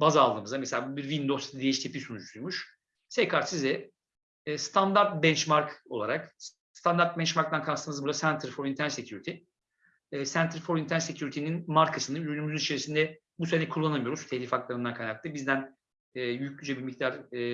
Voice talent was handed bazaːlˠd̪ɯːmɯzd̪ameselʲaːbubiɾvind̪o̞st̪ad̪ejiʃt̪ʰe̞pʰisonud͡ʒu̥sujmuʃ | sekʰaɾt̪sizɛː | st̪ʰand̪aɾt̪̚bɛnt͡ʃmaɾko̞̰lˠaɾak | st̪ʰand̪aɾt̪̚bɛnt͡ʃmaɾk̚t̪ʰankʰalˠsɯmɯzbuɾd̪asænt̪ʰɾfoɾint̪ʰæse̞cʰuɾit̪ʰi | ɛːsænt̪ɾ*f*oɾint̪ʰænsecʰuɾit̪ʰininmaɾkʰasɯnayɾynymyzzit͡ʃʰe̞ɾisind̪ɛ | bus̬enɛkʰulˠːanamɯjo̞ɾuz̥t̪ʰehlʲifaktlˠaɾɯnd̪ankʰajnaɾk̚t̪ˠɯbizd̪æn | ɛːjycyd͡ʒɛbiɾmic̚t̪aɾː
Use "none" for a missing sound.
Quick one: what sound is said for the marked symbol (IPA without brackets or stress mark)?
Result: f